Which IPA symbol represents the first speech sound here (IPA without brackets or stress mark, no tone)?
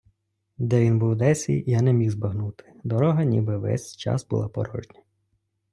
d̪